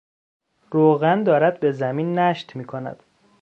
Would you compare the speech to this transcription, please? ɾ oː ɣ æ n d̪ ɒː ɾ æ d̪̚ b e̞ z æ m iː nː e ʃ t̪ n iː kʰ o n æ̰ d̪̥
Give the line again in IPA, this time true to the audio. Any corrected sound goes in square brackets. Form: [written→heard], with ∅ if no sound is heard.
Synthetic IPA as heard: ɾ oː ɣ æ n d̪ ɒː ɾ æ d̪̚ b e̞ z æ m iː nː [e→æ] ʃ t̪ [n→m] iː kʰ o n æ̰ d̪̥